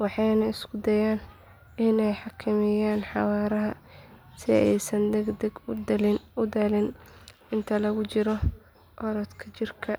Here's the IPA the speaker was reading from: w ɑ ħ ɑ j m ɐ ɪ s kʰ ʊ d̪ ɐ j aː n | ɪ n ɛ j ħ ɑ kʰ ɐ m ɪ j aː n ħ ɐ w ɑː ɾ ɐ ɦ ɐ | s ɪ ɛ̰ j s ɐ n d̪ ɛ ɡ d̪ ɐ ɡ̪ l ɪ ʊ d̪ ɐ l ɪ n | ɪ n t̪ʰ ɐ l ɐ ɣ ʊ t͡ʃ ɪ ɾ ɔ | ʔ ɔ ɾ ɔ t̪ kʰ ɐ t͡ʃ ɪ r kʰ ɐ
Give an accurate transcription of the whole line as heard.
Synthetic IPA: w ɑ ħ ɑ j n ɐ ɪ s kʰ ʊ d̪ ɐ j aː n | ɪ n ɛ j ħ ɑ kʰ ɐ m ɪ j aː n ħ ɑ w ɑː ɾ ɐ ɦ ɐ | s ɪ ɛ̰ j s ɐ n d̪ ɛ ɡ d̪ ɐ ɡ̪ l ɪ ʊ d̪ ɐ l ɪ n | ɪ n t̪ʰ ɐ l ɐ ɣ ʊ t͡ʃ ɪ ɾ ɔ | ʔ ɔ ɾ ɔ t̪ kʰ ɐ t͡ʃ ɪ r kʰ ɐ